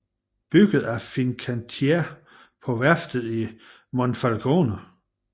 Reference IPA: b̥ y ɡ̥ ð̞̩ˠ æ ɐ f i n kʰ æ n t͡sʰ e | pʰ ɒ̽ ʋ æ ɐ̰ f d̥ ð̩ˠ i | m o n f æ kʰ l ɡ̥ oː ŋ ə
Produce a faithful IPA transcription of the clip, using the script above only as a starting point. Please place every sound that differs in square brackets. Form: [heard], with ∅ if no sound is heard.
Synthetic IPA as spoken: b̥ y ɡ̥ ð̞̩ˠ æ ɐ f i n kʰ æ n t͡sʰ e | pʰ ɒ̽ ʋ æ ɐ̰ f d̥ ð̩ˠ i | m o n f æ [∅] l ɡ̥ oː [n] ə